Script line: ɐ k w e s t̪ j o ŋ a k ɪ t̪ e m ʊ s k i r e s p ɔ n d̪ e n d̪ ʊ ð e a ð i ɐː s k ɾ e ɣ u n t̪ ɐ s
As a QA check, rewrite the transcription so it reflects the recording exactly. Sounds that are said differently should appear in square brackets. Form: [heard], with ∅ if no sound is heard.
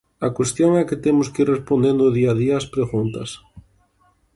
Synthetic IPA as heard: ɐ k w e s t̪ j o ŋ [ɛ] k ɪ t̪ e m ʊ s k i r e s p [o] n d̪ e n d̪ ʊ ð [i] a ð i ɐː s [p] ɾ e ɣ u n t̪ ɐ s

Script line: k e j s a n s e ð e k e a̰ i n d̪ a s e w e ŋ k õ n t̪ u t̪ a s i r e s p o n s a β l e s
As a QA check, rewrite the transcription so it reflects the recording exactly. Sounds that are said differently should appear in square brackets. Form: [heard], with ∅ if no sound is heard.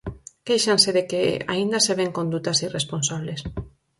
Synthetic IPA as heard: k e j [ʃ] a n s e ð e k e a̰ i n d̪ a s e [β] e ŋ k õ n [d̪] u t̪ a s i r e s p o n s a β l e s

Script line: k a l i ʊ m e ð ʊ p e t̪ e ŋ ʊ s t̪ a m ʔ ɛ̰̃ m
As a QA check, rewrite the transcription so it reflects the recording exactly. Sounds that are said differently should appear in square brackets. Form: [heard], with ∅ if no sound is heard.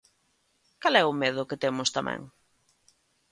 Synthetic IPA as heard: k a l [ɛ] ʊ m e ð ʊ [k] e t̪ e [m] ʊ s t̪ a m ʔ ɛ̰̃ [ŋ]

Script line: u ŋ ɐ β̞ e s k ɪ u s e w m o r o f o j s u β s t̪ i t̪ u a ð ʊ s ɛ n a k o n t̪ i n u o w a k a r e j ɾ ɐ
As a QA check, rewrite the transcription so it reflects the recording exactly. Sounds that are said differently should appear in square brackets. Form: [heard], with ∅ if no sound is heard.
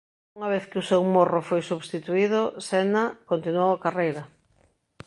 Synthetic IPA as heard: u ŋ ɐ β̞ e [θ] k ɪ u s e w m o r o f o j s u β s t̪ i t̪ u [i] ð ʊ s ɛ n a k o n t̪ i n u o w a k a r e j ɾ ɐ

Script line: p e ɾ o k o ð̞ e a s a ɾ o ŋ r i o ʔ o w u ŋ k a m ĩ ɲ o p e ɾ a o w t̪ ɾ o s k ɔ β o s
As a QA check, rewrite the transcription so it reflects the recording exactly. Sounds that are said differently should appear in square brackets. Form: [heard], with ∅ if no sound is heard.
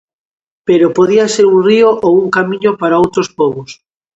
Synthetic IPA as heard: p e ɾ o [p] o ð̞ [i] a s [e] ɾ [u] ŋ r i o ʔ o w u ŋ k a m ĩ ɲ o p [a] ɾ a o w t̪ ɾ o s [p] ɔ β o s

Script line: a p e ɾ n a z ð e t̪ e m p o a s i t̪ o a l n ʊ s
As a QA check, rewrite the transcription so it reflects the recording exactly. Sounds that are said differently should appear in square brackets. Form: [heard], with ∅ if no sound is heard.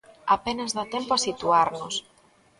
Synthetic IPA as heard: a p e [∅] n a z ð [a] t̪ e m p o a s i t̪ [u] a [ɾ] n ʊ s

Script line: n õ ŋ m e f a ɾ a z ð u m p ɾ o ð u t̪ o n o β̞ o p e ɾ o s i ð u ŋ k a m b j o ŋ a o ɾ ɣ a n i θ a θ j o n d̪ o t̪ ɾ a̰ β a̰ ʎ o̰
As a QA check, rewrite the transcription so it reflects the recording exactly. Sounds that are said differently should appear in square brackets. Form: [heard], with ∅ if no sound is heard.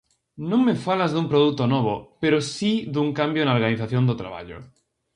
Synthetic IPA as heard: n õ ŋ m e f a [l] a z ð u m p ɾ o ð u t̪ o n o β̞ o p e ɾ o s i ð u ŋ k a m b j o [n] a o ɾ ɣ a n i θ a θ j o n d̪ o t̪ ɾ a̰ β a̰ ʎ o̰

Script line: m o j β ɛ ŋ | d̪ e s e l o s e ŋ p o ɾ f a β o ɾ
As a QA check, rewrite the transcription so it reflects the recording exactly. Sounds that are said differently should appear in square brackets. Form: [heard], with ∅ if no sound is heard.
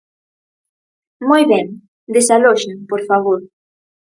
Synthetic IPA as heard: m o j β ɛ ŋ | d̪ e s [a] l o [ʃ] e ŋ p o ɾ f a β o ɾ

